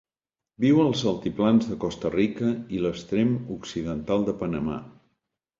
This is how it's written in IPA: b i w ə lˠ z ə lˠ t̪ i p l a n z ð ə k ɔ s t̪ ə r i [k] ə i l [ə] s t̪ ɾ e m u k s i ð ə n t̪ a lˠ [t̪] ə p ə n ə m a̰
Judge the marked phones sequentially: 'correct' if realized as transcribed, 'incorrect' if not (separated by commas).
correct, correct, incorrect